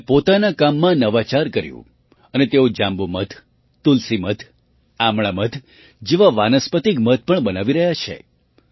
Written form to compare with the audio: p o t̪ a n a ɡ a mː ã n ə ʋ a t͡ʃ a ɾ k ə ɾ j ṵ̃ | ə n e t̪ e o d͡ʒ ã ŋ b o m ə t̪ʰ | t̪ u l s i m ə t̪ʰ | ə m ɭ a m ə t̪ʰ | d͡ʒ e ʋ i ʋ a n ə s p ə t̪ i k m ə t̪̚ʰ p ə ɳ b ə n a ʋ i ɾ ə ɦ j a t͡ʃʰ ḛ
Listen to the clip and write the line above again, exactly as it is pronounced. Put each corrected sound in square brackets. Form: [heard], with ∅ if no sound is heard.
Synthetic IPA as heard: p o t̪ a n a [k] a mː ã n ə ʋ a t͡ʃ a ɾ k ə ɾ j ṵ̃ | ə n e t̪ e o d͡ʒ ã [m] b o m ə t̪ʰ | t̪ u l s i m ə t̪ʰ | [a] m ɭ a m ə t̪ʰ | d͡ʒ e ʋ [a] ʋ a n ə s p ə t̪ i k m ə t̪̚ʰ p ə ɳ b ə n a ʋ i ɾ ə ɦ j a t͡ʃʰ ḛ